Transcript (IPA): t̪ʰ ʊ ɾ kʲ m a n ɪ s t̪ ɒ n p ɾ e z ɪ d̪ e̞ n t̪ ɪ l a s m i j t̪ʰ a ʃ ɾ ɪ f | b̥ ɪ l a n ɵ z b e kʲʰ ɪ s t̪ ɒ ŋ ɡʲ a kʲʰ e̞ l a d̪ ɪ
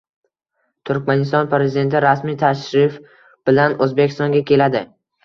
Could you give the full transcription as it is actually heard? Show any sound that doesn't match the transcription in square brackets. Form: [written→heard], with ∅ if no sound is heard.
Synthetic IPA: t̪ʰ ʊ ɾ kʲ m a n ɪ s t̪ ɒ n p ɾ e z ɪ d̪ e̞ n t̪ ɪ [l→ɾ] a s m i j t̪ʰ a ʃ ɾ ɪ f | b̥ ɪ l a n ɵ z b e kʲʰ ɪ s t̪ ɒ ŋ ɡʲ a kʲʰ e̞ l a d̪ ɪ